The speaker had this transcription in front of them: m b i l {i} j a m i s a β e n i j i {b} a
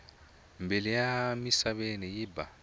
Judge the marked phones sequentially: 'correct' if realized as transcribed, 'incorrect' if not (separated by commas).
correct, correct